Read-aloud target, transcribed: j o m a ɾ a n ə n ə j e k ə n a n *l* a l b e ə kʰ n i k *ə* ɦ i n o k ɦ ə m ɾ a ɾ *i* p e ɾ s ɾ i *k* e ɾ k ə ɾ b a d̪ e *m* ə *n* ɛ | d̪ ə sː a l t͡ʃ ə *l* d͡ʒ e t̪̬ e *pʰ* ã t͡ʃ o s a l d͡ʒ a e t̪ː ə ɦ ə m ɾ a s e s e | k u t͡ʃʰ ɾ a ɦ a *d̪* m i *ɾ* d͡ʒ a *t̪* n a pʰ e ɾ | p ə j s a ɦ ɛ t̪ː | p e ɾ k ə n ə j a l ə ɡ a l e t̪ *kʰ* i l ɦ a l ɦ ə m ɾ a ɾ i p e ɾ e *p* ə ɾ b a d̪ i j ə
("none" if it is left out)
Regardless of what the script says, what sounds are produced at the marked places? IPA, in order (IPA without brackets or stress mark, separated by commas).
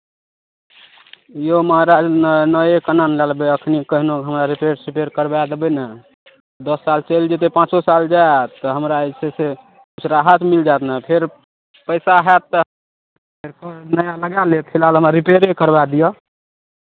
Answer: l, ə, i, p, b, n, l, p, t̪, l, t̪, pʰ, k